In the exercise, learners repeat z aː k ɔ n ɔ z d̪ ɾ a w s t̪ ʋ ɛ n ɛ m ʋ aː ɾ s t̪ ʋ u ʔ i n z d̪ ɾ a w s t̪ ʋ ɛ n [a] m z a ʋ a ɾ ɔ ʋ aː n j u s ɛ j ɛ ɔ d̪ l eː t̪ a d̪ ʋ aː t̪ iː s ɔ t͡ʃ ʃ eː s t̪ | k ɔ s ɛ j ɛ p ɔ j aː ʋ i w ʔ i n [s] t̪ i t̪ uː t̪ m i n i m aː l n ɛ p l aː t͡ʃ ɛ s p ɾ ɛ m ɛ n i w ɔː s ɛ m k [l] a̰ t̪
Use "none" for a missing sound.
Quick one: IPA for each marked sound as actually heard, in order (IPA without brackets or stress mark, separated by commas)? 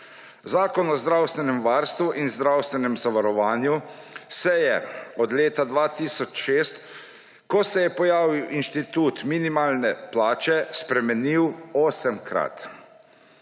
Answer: ɛ, ʃ, ɾ